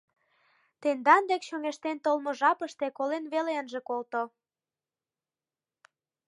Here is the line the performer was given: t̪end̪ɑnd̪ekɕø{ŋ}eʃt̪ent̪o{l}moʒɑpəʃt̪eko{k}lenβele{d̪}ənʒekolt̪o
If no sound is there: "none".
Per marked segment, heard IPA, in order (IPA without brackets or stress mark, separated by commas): ŋ, l, none, none